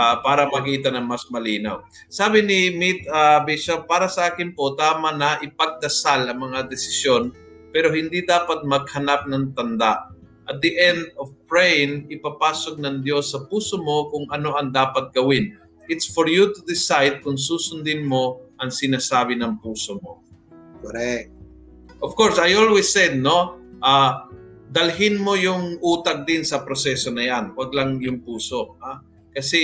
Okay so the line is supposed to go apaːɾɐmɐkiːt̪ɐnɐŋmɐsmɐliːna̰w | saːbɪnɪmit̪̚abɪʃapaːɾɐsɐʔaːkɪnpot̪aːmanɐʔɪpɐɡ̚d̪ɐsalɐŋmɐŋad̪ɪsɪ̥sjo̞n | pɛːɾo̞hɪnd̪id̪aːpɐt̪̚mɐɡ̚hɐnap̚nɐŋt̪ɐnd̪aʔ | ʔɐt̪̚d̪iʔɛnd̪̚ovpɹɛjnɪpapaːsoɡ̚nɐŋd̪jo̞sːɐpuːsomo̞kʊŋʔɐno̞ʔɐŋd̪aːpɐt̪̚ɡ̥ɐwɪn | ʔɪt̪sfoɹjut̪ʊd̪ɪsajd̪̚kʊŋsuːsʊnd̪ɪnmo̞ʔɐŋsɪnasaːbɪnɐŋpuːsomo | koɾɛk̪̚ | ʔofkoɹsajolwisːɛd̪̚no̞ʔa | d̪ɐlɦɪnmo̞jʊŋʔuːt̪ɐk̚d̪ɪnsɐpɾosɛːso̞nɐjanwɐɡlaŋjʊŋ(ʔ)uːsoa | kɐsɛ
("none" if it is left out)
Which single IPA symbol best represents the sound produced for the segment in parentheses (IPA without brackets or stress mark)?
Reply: p